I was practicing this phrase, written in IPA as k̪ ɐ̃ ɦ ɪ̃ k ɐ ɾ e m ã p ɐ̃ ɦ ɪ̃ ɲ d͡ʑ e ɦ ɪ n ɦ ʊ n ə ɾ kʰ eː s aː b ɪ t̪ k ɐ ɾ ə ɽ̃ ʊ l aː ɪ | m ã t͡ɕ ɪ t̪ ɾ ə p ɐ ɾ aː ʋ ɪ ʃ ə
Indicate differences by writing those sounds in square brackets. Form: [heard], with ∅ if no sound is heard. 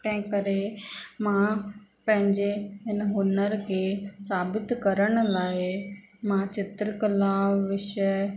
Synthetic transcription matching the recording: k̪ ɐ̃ ɦ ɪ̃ k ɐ ɾ e m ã p ɐ̃ ɦ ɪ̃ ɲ d͡ʑ e ɦ ɪ n ɦ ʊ n ə ɾ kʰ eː s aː b ɪ t̪ k ɐ ɾ ə ɽ̃ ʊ l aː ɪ | m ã t͡ɕ ɪ t̪ ɾ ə [k] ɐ [l] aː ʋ ɪ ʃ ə